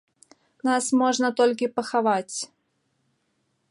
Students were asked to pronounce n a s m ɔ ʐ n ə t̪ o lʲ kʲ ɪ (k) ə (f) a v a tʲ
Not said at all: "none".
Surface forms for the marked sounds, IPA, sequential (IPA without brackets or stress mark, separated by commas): p, x